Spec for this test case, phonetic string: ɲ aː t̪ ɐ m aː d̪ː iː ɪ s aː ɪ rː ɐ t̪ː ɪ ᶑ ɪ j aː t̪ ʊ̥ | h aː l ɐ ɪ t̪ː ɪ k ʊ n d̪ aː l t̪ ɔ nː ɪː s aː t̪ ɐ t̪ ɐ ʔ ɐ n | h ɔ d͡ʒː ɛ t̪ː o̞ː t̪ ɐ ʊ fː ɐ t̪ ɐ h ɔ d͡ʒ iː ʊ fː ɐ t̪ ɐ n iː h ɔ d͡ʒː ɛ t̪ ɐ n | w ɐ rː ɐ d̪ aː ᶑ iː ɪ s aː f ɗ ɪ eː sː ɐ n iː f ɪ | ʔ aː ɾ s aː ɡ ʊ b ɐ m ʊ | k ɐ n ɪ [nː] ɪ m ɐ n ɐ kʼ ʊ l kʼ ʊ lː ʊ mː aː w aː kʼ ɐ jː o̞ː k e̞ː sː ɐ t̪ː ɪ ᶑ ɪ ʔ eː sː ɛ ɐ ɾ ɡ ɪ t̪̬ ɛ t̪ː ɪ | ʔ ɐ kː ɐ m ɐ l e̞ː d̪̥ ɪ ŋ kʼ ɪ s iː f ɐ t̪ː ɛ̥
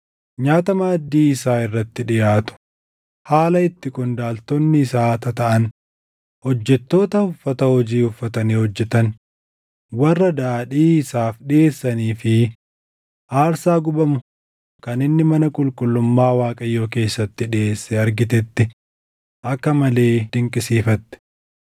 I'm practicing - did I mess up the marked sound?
no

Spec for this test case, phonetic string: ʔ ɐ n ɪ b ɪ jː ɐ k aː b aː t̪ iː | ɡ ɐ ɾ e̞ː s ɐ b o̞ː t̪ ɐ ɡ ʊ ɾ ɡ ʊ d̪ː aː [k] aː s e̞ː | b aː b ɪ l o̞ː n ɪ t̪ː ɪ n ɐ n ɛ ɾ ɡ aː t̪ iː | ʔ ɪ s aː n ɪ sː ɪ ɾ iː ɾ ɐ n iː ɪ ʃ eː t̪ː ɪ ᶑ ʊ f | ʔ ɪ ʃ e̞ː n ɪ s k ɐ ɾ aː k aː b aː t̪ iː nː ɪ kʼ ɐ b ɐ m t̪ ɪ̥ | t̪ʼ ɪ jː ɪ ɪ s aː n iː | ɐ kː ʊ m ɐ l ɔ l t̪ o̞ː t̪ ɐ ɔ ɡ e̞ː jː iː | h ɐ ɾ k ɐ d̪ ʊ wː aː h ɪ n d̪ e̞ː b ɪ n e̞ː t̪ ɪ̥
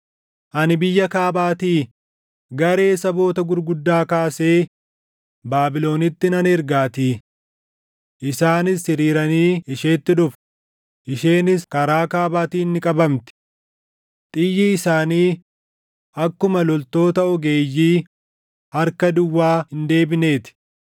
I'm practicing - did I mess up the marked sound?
no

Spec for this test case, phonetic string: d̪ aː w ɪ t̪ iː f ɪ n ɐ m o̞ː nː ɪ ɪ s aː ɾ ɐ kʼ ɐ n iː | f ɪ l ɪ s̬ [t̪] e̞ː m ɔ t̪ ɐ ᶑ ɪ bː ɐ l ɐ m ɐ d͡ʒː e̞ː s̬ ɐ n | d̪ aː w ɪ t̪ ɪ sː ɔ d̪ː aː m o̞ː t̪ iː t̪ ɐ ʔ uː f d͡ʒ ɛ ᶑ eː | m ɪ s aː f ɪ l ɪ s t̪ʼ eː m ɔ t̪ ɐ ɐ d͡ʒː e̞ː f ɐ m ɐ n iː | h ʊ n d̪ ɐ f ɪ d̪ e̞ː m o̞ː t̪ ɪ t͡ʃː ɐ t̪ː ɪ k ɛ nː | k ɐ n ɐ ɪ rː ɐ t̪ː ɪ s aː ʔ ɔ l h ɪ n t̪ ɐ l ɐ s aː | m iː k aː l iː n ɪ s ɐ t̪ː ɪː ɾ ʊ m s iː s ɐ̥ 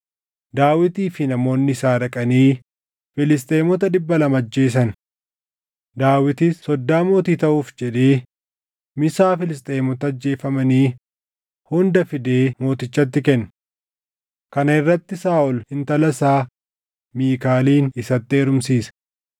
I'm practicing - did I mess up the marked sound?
yes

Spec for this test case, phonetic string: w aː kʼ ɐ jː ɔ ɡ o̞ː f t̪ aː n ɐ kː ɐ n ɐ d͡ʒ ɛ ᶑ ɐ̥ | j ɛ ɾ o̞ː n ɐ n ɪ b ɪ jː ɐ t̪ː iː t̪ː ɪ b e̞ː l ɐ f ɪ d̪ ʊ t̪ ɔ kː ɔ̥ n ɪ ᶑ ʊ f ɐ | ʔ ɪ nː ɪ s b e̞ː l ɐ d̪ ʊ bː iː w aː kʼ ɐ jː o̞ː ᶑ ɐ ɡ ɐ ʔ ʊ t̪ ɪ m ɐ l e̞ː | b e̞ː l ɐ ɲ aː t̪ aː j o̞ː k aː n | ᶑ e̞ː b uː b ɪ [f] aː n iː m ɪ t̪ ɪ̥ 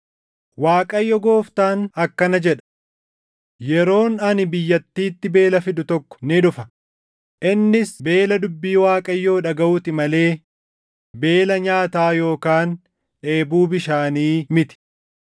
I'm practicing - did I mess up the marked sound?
yes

